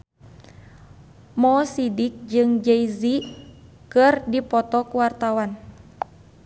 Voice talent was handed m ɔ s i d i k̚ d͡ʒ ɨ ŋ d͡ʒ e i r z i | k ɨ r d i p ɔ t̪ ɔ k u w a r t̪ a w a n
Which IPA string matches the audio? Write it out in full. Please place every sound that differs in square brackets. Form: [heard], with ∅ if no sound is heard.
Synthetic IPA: m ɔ s i d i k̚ d͡ʒ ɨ ŋ d͡ʒ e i [∅] z i | k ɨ r d i p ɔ t̪ ɔ k u w a r t̪ a w a n